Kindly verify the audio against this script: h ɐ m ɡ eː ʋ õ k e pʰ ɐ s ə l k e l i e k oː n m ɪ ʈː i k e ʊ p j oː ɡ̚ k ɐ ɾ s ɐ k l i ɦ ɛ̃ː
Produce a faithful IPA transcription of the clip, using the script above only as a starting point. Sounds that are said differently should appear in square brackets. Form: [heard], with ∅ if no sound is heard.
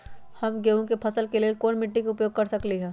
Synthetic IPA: h ɐ m ɡ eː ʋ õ k e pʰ ɐ s ə l k e l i e k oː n m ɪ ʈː i k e ʊ p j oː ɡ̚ k ɐ ɾ s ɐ k l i ɦ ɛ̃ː